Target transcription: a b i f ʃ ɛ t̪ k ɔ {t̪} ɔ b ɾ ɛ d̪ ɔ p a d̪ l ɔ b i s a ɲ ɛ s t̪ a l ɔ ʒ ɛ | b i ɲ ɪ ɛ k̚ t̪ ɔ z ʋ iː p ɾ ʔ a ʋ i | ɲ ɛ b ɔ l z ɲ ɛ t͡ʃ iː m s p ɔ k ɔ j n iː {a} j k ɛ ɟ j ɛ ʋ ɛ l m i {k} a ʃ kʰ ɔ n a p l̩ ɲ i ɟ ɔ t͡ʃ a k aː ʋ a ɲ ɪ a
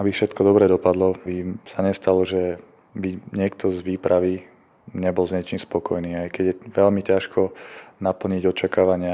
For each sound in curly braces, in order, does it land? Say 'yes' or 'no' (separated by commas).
no, yes, no